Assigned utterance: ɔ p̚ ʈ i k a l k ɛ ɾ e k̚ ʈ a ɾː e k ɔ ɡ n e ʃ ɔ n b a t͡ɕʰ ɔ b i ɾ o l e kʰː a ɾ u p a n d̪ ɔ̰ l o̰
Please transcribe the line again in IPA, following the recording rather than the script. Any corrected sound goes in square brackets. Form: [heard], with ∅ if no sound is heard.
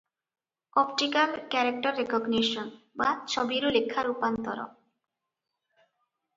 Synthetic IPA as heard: ɔ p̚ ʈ i k a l k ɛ ɾ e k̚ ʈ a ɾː e k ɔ ɡ n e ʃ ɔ n b a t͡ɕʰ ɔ b i ɾ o l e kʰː a ɾ u p a n [t̪] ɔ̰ [ɾ] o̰

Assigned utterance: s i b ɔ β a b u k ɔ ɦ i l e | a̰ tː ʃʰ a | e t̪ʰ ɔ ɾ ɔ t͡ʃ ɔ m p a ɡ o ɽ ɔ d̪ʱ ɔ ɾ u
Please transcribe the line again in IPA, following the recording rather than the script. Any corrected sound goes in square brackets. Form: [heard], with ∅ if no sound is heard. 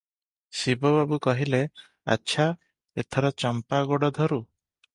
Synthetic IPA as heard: s i b ɔ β a b u k ɔ ɦ i l e | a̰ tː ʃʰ a | e t̪ʰ ɔ ɾ ɔ t͡ʃ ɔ m p a ɡ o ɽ ɔ d̪ʱ ɔ ɾ u

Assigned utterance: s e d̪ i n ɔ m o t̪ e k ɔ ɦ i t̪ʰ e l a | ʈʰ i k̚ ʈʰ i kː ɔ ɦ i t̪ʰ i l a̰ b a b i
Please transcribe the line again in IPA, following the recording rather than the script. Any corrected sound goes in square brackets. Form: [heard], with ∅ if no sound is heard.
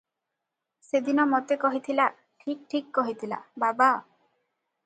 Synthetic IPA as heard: s e d̪ i n ɔ m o t̪ e k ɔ ɦ i t̪ʰ [i] l a | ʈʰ i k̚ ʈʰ i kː ɔ ɦ i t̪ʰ i l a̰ b a b [a]

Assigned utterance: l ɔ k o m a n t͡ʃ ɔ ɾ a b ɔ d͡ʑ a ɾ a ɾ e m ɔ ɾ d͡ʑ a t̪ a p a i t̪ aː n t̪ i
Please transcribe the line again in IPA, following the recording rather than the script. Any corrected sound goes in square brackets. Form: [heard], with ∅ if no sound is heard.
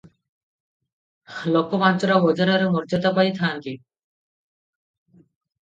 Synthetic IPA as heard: l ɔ k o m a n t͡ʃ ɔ ɾ a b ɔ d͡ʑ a ɾ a ɾ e m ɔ ɾ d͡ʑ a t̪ a p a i [t̪ʰ] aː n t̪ i

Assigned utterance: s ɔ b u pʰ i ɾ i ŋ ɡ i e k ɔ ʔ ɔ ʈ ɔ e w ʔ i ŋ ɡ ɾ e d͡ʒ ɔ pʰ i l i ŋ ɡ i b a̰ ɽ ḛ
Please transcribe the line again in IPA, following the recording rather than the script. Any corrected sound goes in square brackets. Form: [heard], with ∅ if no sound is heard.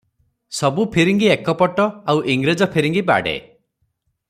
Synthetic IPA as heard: s ɔ b u pʰ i ɾ i ŋ ɡ i e k ɔ [p] ɔ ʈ ɔ [a] w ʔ i ŋ ɡ ɾ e d͡ʒ ɔ pʰ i [ɾ] i ŋ ɡ i b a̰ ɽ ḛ

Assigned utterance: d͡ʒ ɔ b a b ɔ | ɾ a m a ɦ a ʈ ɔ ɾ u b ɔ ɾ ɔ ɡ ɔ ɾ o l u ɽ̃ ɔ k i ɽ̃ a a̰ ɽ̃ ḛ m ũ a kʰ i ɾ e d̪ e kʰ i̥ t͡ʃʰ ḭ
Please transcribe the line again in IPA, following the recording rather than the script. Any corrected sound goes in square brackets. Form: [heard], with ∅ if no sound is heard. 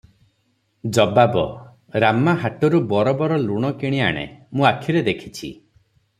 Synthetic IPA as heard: d͡ʒ ɔ b a b ɔ | ɾ a m a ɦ a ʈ ɔ ɾ u b ɔ ɾ ɔ [b] ɔ ɾ [ɔ] l u ɽ̃ ɔ k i ɽ̃ [i] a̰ ɽ̃ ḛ m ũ a kʰ i ɾ e d̪ e kʰ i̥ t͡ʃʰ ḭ

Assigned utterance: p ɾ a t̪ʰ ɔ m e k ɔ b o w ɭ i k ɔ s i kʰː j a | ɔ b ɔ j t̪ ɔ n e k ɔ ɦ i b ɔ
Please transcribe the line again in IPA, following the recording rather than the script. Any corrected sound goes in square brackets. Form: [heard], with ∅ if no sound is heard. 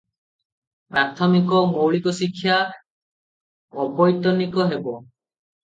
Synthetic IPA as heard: p ɾ a t̪ʰ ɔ m [i] k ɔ [m] o w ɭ i k ɔ s i kʰː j a | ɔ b ɔ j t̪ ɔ n [i] k ɔ ɦ [e] b ɔ

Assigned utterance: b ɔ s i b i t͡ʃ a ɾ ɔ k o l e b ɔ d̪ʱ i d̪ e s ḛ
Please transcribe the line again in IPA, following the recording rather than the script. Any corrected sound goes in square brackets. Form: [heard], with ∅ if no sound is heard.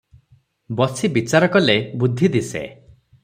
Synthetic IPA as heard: b ɔ s i b i t͡ʃ a ɾ ɔ k [ɔ] l e b [u] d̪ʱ i d̪ [i] s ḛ

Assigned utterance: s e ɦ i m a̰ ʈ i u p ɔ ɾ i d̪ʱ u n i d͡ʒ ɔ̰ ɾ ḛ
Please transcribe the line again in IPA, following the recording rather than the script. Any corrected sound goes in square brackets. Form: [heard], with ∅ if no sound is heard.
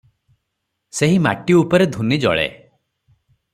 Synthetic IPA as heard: s e ɦ i m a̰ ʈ i u p ɔ ɾ [e] d̪ʱ u n i d͡ʒ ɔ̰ [ɭ] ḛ

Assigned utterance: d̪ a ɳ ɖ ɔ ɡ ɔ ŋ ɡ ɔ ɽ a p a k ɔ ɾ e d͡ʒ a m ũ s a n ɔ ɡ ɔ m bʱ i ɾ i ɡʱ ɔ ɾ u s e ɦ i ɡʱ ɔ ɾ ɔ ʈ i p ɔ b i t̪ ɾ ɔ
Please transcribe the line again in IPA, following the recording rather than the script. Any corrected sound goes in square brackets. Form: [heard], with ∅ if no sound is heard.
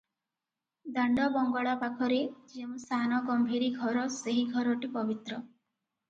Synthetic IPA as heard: d̪ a ɳ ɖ ɔ [b] ɔ ŋ ɡ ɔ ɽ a p a [kʰ] ɔ ɾ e d͡ʒ [e] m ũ s a n ɔ ɡ ɔ m bʱ i ɾ i ɡʱ ɔ ɾ [ɔ] s e ɦ i ɡʱ ɔ ɾ ɔ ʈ i p ɔ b i t̪ ɾ ɔ

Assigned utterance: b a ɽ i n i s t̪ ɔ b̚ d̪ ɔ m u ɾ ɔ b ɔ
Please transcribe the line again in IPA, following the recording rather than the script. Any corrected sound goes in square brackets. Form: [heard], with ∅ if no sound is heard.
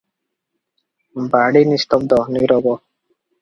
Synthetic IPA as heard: b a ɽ i n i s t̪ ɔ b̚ d̪ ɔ [n] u ɾ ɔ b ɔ

